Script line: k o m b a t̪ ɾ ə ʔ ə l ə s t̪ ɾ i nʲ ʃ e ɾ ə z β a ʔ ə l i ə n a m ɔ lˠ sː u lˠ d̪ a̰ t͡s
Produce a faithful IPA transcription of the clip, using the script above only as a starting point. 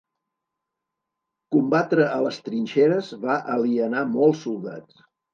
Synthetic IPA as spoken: k u m b a t̪ ɾ ə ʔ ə l ə s t̪ ɾ i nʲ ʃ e ɾ ə z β a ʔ ə l i ə n a m ɔ lˠ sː u lˠ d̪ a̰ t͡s